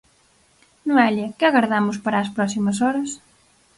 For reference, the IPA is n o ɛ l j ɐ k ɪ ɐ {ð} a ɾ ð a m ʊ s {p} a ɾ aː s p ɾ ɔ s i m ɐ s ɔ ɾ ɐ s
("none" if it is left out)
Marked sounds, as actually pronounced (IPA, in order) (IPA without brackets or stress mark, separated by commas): ɣ, p